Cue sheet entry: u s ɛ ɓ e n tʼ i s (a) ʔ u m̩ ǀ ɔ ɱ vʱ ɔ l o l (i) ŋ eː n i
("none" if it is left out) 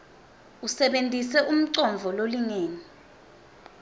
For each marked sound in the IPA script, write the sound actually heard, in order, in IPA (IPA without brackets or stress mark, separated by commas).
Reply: ɛ, i